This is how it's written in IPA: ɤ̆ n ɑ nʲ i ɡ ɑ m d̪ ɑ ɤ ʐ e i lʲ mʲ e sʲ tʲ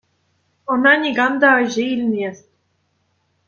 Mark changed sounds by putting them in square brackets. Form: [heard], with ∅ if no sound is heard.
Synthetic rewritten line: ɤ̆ n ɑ nʲ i ɡ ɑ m d̪ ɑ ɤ [ʑ] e i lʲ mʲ e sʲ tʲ

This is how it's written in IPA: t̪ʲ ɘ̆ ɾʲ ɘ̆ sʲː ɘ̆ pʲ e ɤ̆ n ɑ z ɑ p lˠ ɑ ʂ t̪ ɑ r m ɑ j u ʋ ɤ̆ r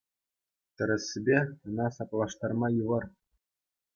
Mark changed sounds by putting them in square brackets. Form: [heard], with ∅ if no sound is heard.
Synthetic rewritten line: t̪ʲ ɘ̆ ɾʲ ɘ̆ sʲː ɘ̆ [bʲ] e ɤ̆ n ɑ [s] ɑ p lˠ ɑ ʂ t̪ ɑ r m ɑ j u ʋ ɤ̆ r

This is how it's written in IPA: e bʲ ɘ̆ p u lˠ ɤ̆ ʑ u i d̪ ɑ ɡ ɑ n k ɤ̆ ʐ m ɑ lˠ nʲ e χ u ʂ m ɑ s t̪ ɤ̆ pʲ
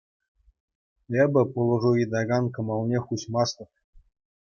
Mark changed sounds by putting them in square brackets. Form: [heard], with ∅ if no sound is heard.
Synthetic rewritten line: e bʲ ɘ̆ p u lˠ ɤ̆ [ʐ] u i d̪ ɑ ɡ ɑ n k ɤ̆ [∅] m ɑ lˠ nʲ e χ u [ɕ] m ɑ s t̪ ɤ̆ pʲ

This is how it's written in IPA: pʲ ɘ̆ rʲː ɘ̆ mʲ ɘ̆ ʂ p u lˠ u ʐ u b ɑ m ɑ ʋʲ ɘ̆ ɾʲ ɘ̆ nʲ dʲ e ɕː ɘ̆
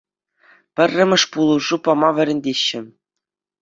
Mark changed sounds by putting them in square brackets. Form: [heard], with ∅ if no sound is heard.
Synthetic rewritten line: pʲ ɘ̆ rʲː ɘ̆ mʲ ɘ̆ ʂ p u lˠ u ʐ u [p] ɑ m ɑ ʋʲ ɘ̆ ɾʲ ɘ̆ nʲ dʲ e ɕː ɘ̆

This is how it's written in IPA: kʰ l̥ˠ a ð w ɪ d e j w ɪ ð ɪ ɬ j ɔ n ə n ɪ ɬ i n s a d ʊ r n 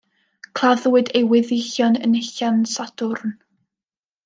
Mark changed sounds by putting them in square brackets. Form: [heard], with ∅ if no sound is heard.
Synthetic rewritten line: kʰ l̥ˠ a ð w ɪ d e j w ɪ ð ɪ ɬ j ɔ n ə n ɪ ɬ [a] n s a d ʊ r n

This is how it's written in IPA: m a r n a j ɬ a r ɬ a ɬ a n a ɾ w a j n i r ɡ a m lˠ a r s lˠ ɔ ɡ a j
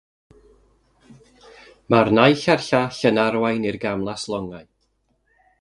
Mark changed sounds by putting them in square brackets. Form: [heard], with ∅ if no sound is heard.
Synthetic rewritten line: m a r n a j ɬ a r ɬ a ɬ [ə] n a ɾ w a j n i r ɡ a m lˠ a [∅] s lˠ ɔ [ŋ] a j

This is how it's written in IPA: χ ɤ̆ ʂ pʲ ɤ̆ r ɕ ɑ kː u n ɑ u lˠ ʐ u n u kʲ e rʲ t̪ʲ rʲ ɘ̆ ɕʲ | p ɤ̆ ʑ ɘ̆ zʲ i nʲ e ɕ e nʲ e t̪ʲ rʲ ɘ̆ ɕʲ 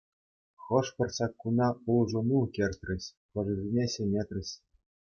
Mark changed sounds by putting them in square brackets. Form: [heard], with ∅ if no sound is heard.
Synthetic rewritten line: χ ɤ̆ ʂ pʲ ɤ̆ r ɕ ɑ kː u n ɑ u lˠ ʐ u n u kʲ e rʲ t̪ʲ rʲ ɘ̆ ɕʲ | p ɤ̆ [ʐ] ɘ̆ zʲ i nʲ e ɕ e nʲ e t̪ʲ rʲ ɘ̆ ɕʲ

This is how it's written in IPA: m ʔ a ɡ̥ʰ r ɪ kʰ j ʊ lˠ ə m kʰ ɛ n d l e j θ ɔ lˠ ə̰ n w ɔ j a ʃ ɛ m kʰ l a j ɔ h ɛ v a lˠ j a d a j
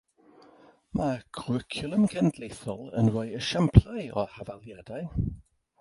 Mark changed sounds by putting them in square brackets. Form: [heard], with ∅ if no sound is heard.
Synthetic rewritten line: m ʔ a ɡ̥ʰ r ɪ kʰ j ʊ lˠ ə m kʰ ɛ n d l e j θ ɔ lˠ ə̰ n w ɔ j [ə] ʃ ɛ m [pʰ] l a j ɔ h [a] v a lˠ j a d a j

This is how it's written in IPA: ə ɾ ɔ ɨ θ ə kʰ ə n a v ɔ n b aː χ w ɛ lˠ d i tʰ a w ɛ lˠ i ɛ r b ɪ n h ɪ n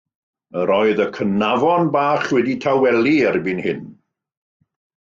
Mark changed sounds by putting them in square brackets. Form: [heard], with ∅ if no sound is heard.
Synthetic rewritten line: ə ɾ ɔ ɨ [ð] ə kʰ ə n a v ɔ n b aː χ w ɛ [∅] d i tʰ a w ɛ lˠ i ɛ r b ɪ n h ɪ n

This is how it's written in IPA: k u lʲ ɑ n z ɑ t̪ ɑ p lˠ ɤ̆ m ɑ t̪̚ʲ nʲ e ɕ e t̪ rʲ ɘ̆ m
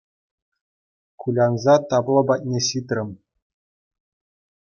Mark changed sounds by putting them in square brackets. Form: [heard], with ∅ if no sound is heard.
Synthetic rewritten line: k u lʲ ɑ n z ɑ t̪ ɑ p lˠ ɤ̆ [b] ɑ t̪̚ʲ nʲ e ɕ [i] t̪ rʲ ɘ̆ m

